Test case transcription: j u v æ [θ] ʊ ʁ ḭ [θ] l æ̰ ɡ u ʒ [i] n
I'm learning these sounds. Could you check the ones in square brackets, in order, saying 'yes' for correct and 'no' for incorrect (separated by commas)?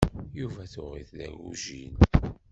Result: yes, yes, yes